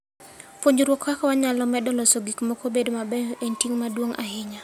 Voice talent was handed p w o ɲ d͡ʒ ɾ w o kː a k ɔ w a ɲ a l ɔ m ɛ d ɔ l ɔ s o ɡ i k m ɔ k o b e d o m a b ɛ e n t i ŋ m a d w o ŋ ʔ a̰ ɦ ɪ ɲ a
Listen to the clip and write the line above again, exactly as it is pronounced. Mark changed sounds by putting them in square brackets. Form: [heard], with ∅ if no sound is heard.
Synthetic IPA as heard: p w o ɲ d͡ʒ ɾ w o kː a k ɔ w a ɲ a l ɔ m ɛ d ɔ l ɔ s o ɡ i k m ɔ k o b e d o m a b ɛ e n t i ŋ m a d w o ŋ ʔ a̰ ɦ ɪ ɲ a